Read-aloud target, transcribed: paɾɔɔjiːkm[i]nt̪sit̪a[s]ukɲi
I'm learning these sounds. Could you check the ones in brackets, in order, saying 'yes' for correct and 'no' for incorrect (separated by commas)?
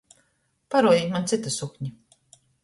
no, yes